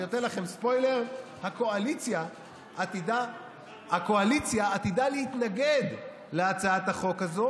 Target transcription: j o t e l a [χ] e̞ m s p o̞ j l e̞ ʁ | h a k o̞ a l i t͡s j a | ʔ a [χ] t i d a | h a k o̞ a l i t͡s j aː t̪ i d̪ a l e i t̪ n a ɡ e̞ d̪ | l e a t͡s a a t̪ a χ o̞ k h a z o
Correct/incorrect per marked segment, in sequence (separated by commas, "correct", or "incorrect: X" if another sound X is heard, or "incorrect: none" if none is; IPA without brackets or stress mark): correct, incorrect: none